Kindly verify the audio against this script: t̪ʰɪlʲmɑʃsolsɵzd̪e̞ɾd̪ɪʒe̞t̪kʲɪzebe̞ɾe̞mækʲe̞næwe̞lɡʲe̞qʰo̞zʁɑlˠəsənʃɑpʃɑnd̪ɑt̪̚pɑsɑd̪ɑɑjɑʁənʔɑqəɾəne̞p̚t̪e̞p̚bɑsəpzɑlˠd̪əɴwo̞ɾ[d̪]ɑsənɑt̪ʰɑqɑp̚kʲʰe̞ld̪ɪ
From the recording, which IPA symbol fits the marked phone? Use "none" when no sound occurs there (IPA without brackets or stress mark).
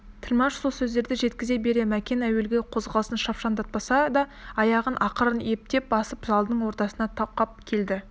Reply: t̪